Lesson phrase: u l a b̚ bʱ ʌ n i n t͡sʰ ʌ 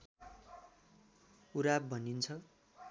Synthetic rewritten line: u ɾ a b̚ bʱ ʌ n i n t͡sʰ ʌ